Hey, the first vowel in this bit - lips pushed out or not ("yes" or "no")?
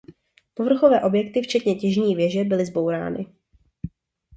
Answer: yes